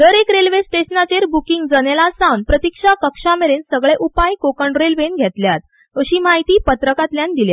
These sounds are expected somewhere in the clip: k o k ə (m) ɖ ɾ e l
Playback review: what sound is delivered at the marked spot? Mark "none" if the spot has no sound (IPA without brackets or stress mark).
ɳ